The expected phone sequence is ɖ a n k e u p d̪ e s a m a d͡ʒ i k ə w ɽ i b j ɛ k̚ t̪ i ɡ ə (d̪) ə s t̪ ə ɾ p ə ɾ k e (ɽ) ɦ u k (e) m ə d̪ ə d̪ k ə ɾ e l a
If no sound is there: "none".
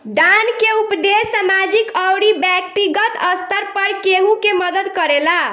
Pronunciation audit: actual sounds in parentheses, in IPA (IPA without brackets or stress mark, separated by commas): t̪, none, e